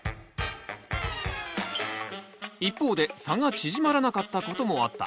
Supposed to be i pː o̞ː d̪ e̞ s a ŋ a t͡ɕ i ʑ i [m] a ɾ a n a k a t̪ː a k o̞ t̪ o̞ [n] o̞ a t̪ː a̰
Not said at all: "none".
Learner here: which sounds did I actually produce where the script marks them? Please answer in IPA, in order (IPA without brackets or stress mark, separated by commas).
m, m